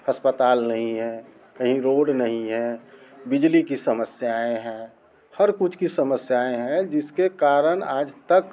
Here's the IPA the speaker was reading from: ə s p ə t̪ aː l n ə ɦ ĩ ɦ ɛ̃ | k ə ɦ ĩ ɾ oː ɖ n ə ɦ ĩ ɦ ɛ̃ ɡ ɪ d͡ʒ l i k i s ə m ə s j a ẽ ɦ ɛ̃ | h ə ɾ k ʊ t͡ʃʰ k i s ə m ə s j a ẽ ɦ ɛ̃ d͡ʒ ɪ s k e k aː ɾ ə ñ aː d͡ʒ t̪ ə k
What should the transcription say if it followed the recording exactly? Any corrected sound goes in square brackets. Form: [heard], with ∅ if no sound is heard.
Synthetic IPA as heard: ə s p ə t̪ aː l n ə ɦ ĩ ɦ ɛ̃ | k ə ɦ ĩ ɾ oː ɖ n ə ɦ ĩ ɦ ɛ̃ [b] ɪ d͡ʒ l i k i s ə m ə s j a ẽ ɦ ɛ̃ | h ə ɾ k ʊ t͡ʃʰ k i s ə m ə s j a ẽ ɦ ɛ̃ d͡ʒ ɪ s k e k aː ɾ ə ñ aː d͡ʒ t̪ ə k